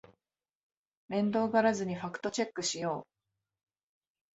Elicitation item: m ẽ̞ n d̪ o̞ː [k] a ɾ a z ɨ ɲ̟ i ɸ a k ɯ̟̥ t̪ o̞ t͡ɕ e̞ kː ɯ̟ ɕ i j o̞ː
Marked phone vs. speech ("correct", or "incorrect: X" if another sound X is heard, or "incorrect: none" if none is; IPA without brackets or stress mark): incorrect: ɡ